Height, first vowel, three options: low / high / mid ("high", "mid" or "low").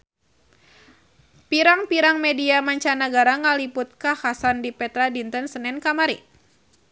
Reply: high